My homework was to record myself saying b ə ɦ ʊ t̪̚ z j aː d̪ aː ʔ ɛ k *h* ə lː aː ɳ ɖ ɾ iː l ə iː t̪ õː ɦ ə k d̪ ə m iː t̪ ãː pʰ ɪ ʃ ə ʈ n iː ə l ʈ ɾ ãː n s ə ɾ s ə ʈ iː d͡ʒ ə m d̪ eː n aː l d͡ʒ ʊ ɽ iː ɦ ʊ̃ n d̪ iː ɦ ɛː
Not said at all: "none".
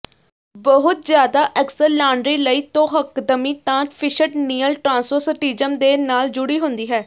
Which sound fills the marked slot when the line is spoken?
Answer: s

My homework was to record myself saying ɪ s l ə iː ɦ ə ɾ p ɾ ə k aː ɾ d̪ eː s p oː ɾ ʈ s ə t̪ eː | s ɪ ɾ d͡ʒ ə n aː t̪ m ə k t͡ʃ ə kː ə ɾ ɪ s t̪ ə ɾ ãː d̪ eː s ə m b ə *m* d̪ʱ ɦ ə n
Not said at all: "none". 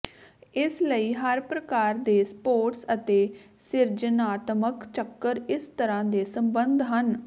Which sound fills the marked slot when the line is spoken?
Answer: n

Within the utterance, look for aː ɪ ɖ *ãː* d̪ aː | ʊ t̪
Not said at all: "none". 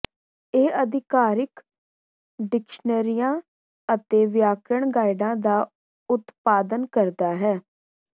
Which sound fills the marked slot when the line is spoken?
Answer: ãː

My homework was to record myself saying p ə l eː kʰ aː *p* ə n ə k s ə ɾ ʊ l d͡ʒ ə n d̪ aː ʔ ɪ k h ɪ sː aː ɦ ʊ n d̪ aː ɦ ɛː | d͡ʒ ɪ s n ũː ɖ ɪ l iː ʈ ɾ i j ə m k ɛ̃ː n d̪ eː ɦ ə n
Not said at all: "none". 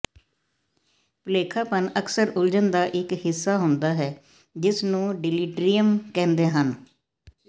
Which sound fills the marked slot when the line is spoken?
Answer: p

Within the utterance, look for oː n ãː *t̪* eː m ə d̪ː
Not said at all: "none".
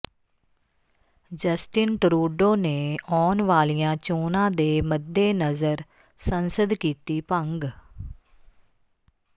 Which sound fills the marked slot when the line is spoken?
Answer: d̪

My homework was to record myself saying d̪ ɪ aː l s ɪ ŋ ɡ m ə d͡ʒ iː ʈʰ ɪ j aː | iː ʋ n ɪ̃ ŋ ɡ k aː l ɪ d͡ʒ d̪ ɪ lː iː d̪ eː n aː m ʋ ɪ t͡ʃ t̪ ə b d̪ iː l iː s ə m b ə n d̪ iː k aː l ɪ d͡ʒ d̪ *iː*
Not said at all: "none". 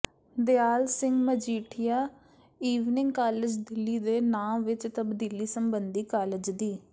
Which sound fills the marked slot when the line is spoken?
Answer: iː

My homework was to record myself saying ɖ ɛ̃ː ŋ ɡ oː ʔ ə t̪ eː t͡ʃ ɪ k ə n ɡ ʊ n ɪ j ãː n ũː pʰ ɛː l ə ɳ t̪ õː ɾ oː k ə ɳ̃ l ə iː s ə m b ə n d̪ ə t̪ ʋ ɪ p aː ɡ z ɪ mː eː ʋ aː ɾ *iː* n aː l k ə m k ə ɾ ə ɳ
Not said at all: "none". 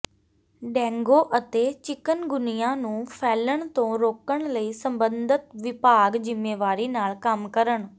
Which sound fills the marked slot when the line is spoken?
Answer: iː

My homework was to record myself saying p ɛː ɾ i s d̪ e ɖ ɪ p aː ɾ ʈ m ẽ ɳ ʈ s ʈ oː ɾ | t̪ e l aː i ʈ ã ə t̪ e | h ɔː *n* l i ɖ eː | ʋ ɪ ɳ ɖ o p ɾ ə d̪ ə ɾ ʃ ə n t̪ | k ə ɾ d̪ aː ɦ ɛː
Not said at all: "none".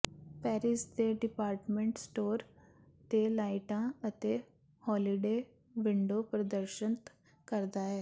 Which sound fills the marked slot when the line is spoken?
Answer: none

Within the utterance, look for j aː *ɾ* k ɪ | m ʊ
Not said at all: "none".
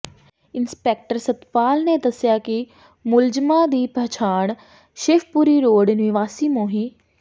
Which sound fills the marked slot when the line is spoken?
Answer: none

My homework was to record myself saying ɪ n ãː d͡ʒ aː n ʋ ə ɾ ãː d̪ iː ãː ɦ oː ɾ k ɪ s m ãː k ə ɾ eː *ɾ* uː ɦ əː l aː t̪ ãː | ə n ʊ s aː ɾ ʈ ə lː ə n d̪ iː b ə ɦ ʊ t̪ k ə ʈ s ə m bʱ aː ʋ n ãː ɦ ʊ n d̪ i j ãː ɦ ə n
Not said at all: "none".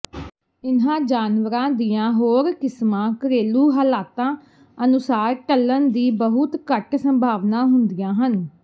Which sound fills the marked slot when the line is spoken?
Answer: l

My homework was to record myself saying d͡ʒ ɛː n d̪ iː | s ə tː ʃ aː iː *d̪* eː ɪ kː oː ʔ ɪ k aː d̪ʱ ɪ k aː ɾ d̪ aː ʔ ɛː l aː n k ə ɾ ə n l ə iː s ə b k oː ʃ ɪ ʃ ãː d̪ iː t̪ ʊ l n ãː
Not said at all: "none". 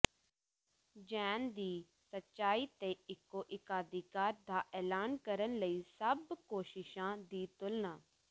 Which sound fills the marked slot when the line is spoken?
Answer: t̪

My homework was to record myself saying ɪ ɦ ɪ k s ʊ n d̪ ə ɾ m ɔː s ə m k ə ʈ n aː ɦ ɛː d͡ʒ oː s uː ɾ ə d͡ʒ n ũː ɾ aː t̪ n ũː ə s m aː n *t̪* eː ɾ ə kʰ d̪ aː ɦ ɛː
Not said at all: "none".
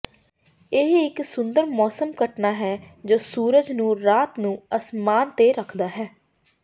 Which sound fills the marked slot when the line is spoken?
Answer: t̪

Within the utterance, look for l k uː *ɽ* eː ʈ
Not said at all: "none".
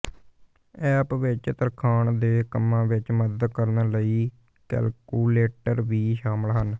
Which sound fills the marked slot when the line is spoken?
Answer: l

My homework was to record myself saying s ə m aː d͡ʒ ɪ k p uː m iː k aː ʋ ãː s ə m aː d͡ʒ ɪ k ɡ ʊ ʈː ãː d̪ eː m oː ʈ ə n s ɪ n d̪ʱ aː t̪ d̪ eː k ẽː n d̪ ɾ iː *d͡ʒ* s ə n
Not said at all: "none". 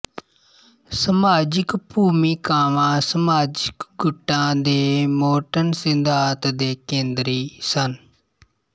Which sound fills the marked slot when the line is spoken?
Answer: none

